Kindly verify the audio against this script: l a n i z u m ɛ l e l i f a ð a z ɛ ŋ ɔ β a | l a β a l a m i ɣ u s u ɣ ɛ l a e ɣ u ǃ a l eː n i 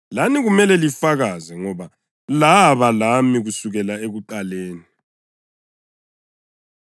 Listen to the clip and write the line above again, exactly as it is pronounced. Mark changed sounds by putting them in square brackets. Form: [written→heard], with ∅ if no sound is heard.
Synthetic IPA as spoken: l a n i [z→ɣ] u m ɛ l [e→ɛ] l i f a [ð→ɣ] a z ɛ ŋ ɔ β a | l a β a l a m i ɣ u s u ɣ ɛ l a e ɣ u ǃ a l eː n i